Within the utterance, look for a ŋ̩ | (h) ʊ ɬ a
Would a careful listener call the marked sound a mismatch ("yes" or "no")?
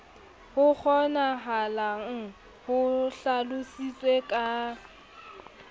no